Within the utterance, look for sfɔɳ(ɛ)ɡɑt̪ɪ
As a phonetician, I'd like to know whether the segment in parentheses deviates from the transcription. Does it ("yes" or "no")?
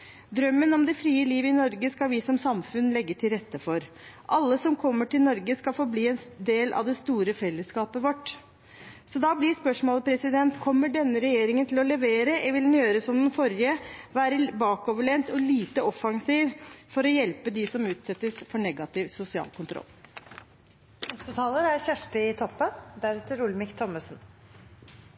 no